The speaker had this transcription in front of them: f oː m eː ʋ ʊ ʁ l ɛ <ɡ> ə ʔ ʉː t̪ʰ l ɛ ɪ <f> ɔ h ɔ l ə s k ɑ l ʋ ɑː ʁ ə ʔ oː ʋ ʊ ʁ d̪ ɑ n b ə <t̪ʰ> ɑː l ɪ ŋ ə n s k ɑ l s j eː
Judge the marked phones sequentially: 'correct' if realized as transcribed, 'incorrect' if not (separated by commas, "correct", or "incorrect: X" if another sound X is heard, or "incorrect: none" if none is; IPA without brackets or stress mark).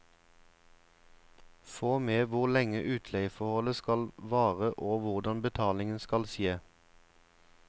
incorrect: ŋ, correct, correct